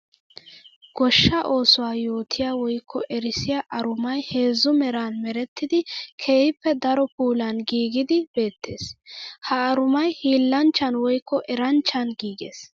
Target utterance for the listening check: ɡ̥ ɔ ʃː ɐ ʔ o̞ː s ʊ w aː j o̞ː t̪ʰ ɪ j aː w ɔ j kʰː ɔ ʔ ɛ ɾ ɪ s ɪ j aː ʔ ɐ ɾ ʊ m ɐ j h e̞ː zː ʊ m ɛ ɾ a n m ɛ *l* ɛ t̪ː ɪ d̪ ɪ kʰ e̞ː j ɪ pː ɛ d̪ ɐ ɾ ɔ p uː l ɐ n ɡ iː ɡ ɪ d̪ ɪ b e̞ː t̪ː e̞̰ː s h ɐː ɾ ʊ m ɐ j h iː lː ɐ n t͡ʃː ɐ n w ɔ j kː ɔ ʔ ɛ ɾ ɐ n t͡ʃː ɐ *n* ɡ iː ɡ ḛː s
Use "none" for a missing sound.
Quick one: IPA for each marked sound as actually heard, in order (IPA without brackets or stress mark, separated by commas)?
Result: ɾ, n